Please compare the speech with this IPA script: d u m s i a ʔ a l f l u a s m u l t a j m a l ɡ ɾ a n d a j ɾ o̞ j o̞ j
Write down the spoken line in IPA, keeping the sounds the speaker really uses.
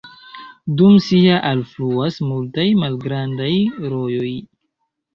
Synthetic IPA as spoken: d u m s i a ʔ a l f l u a s m u l t a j m a l ɡ ɾ a n d a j ɾ o̞ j o̞ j